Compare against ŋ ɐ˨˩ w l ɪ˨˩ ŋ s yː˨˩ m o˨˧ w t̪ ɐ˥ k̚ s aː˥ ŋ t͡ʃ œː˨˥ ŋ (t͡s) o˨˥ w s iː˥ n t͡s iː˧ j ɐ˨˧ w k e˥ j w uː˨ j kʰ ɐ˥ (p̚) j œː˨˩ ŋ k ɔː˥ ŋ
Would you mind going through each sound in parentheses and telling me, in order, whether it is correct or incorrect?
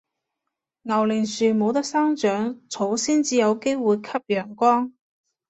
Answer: incorrect, correct

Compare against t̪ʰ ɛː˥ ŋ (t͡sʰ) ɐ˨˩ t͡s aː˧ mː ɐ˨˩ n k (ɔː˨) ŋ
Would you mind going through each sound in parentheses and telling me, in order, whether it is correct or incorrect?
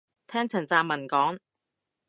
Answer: correct, incorrect

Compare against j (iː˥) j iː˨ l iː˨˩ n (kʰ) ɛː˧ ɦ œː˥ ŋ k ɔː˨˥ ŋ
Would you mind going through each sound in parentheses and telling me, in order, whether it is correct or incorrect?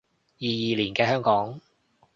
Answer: incorrect, incorrect

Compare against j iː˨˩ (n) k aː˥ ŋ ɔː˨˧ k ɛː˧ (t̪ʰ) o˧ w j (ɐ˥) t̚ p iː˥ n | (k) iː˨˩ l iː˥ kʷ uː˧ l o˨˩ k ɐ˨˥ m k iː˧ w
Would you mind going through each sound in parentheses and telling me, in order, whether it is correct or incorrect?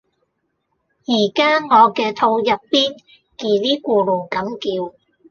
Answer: incorrect, correct, incorrect, correct

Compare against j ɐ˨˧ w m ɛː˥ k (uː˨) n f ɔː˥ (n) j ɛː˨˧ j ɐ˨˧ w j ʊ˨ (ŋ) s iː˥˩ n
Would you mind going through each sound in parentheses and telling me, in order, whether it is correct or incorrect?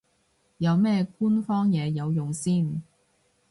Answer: incorrect, incorrect, correct

